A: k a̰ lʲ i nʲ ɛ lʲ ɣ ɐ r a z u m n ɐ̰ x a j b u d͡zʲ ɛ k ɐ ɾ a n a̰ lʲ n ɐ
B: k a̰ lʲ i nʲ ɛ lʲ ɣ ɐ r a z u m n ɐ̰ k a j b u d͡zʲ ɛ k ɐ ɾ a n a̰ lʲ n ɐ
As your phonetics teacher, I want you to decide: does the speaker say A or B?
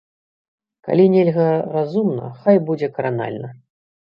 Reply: A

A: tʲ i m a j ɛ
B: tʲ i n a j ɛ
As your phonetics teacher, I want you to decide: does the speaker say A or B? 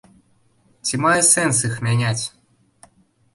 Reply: A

